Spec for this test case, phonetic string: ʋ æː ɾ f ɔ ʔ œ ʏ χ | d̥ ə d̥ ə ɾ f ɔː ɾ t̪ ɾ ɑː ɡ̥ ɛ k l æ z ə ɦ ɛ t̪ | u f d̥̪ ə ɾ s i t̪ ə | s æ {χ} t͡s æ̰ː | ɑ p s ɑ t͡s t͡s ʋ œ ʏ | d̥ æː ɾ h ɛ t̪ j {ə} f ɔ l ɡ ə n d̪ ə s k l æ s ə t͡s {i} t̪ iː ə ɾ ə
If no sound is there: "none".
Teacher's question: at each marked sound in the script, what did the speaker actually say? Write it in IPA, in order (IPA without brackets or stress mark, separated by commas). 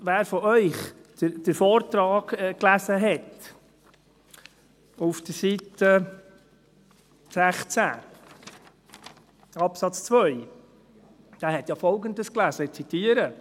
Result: χ, ɑ, i